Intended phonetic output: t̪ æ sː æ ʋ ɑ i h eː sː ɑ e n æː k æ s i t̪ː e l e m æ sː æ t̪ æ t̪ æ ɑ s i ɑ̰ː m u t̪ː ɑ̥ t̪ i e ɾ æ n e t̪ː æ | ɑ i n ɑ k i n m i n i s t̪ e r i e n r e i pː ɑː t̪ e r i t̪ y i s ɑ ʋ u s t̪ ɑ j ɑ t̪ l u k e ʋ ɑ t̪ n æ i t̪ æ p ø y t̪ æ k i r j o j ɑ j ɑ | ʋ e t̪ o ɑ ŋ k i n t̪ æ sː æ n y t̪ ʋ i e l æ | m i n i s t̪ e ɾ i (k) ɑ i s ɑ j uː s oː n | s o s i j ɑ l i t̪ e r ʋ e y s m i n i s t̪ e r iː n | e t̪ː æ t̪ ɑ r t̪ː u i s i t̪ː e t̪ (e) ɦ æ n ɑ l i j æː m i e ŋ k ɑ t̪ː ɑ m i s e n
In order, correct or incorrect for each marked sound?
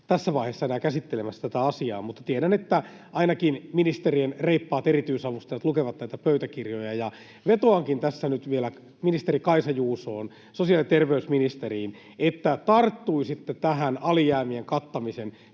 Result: correct, incorrect: æ

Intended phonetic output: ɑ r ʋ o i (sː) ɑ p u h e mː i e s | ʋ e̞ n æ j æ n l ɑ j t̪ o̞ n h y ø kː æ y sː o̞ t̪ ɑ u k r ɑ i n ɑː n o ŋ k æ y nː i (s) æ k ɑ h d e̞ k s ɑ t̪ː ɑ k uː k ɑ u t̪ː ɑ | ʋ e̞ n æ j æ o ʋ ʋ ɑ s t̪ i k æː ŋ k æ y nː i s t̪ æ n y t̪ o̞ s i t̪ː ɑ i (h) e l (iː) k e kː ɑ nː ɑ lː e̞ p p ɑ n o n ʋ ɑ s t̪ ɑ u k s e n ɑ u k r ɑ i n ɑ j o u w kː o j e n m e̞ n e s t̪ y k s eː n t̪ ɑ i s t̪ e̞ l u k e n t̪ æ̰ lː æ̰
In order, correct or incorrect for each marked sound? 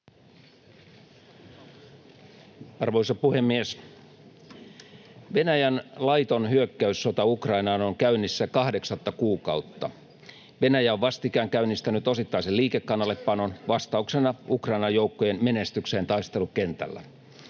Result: incorrect: s, incorrect: sː, incorrect: s, correct

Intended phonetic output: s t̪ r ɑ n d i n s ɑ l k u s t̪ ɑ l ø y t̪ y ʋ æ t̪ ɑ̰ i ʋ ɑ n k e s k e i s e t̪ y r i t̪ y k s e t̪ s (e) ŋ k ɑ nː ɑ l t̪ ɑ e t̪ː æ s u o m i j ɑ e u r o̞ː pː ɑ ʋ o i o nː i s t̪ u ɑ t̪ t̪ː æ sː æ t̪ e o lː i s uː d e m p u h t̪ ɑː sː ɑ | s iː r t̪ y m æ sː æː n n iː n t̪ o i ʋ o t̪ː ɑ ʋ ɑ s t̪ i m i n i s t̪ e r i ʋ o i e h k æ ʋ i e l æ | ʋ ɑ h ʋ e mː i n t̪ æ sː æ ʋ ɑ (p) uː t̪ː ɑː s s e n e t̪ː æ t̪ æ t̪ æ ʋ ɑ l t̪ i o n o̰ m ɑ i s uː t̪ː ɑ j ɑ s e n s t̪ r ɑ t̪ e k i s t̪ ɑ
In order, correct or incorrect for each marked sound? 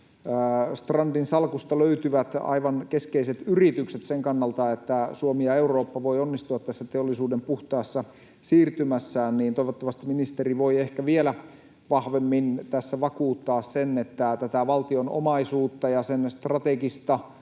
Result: correct, incorrect: k

